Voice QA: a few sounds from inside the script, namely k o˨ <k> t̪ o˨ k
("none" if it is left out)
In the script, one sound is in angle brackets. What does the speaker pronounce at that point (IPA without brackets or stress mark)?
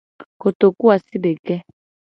none